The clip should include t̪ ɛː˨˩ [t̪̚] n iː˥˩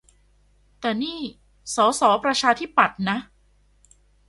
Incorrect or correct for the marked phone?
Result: incorrect: none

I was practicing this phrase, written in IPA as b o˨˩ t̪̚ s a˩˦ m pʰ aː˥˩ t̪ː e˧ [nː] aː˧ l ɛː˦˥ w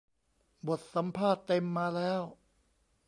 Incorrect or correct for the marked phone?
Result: incorrect: mː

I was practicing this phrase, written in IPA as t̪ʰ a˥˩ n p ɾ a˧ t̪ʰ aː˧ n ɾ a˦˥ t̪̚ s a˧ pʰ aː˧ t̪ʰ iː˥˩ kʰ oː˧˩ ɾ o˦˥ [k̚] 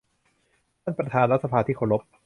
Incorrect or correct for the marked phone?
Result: incorrect: p̚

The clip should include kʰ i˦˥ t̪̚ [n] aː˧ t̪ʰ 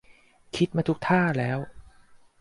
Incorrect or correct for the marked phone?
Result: incorrect: m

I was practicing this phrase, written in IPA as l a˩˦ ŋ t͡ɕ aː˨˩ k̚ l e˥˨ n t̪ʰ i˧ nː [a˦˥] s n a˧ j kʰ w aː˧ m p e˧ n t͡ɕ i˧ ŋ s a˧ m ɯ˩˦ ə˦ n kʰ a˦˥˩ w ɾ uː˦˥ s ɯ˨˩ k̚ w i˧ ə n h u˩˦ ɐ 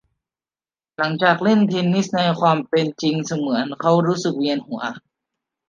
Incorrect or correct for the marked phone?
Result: incorrect: i˦˥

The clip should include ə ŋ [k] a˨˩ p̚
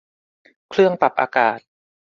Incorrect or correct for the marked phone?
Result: incorrect: p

